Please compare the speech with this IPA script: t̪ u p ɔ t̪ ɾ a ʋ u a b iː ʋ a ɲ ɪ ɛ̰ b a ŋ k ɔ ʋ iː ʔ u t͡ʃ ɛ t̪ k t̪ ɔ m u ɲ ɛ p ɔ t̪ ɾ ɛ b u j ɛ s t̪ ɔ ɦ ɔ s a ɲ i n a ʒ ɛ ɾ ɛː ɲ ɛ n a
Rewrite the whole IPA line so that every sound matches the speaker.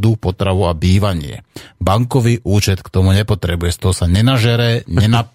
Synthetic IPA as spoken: d̪ u p ɔ t̪ ɾ a ʋ u a b iː ʋ a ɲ ɪ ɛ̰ b a ŋ k ɔ ʋ iː ʔ uː t͡ʃ ɛ t̪ k t̪ ɔ m u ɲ ɛ p ɔ t̪ ɾ ɛ b u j ɛ s t̪ ɔ ɦ ɔ s a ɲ ɛ n a ʒ ɛ ɾ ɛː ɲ ɛ n a